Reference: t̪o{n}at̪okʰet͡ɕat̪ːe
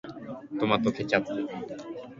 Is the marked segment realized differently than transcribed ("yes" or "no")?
yes